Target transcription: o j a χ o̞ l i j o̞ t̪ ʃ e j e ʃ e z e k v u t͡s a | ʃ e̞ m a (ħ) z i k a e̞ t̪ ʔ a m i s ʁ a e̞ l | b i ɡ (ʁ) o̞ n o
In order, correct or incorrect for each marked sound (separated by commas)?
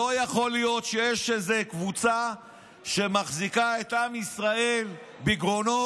incorrect, correct